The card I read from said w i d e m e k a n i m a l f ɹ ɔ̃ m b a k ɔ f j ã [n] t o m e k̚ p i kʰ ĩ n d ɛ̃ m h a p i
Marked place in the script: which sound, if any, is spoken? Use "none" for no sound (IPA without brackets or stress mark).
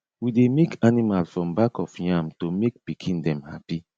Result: m